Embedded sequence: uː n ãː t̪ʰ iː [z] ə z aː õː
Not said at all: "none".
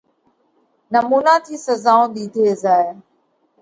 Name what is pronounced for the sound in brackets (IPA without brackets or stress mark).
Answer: s